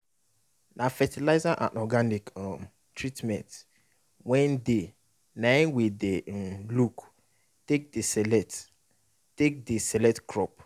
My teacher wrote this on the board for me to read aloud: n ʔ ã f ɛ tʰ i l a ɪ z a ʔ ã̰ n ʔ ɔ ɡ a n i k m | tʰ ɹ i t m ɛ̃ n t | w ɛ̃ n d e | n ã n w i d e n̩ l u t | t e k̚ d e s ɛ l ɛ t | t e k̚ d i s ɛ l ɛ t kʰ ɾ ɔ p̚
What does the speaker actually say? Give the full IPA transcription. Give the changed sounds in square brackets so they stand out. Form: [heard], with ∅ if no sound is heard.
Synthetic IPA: n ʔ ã f ɛ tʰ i l a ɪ z a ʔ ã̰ n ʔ ɔ ɡ a n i k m | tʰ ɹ i t m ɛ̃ n t | w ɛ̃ n d e | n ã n w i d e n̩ l u [k] | t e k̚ d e s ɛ l ɛ t | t e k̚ d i s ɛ l ɛ t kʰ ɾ ɔ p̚